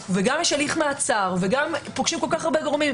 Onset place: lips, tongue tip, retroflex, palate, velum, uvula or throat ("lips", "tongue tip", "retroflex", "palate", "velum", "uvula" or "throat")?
lips